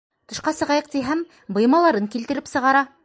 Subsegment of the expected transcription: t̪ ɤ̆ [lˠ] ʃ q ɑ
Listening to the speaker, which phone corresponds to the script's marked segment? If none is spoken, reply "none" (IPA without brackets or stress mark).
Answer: none